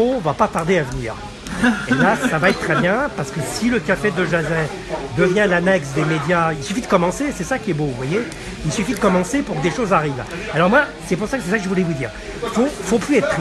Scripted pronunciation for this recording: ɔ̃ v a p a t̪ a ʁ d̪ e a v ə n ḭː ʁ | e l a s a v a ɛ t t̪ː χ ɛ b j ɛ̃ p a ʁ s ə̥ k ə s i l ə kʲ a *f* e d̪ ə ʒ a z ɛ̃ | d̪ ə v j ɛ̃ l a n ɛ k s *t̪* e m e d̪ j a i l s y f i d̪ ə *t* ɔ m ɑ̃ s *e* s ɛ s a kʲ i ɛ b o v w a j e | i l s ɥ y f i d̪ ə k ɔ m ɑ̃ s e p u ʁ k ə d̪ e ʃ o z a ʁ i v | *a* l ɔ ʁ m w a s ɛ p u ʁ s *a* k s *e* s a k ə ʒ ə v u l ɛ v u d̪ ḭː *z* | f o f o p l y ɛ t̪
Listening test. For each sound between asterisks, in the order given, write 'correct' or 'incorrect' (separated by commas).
correct, incorrect, incorrect, correct, correct, correct, incorrect, incorrect